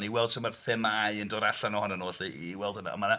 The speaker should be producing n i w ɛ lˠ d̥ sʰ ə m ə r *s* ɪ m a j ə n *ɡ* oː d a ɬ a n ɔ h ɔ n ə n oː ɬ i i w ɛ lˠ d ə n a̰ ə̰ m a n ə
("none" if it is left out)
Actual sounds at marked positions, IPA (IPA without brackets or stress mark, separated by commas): f, d